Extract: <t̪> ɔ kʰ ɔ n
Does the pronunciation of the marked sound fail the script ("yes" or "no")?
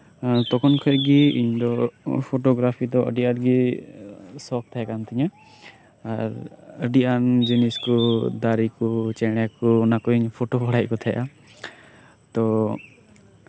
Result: no